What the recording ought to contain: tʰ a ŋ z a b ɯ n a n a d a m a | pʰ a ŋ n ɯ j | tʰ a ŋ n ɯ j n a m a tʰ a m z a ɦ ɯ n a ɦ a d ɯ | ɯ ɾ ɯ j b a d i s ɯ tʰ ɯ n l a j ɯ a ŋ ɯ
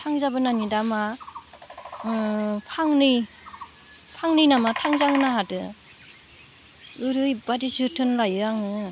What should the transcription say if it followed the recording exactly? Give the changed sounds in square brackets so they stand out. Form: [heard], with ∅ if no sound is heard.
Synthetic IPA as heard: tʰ a ŋ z a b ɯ n a n [i] d a m a | pʰ a ŋ n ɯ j | [pʰ] a ŋ n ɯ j n a m a tʰ a [ŋ] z a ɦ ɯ n a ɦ a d ɯ | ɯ ɾ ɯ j b a d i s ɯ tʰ ɯ n l a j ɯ a ŋ ɯ